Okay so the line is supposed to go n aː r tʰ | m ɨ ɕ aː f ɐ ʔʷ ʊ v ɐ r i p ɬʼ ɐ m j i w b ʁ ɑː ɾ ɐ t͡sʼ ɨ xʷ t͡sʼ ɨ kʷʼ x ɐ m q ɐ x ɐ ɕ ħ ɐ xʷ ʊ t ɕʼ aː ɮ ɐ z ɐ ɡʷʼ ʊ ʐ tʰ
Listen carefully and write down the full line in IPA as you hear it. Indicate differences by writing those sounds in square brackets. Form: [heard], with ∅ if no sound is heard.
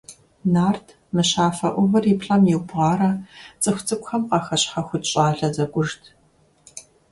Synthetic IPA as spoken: n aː r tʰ | m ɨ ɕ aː f ɐ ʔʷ ʊ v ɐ r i p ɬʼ ɐ m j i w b ʁ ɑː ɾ ɐ t͡sʼ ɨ xʷ t͡sʼ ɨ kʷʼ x ɐ m q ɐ x ɐ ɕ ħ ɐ xʷ ʊ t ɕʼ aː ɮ ɐ z ɐ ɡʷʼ ʊ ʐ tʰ